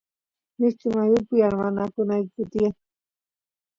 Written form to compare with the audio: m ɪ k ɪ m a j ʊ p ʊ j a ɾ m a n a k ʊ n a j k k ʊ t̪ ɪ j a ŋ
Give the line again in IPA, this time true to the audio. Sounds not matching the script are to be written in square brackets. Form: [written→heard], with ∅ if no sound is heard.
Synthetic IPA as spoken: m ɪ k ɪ m a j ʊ p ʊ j a ɾ m a n a k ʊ n a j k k ʊ t̪ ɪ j a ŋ